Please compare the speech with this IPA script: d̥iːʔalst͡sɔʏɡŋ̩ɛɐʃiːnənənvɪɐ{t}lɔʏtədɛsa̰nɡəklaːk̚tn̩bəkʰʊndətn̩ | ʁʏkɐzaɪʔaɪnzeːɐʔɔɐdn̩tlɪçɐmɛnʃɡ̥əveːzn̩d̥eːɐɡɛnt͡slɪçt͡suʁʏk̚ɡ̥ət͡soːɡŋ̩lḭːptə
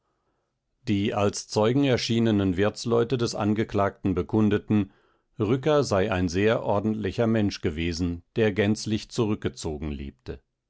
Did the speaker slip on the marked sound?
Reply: yes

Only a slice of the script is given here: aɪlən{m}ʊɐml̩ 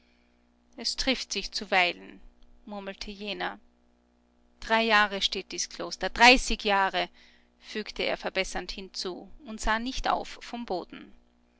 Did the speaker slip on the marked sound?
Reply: no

